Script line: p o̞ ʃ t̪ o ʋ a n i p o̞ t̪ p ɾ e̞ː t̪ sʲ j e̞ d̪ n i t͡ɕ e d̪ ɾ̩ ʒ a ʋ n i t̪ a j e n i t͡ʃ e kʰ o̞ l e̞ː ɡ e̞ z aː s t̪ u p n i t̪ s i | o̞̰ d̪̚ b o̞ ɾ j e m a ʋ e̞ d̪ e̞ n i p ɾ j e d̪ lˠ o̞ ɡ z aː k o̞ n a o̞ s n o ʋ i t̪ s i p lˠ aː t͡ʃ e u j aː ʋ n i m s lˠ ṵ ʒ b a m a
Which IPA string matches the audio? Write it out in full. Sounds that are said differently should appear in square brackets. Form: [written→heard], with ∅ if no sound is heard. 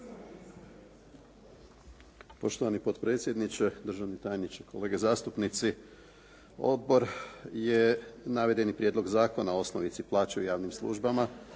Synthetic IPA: p o̞ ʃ t̪ o ʋ a n i p o̞ t̪ p ɾ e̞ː t̪ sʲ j e̞ d̪ n i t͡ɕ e d̪ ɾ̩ ʒ a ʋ n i t̪ a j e n i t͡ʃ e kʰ o̞ l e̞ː ɡ e̞ z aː s t̪ u p n i t̪ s i | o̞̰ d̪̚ b o̞ ɾ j e [m→n] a ʋ e̞ d̪ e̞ n i p ɾ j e d̪ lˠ o̞ ɡ z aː k o̞ n a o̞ s n o ʋ i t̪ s i p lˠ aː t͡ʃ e u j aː ʋ n i m s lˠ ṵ ʒ b a m a